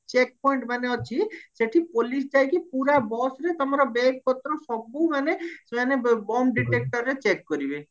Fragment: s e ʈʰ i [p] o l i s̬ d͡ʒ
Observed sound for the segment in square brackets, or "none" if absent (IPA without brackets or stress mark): p